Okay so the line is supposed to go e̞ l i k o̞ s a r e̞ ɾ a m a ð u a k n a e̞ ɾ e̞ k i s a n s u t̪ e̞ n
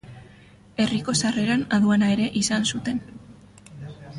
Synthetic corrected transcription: e̞ r i k o̞ s a r e̞ ɾ a n a ð u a n a e̞ ɾ e̞ ʔ i s a n s u t̪ e̞ n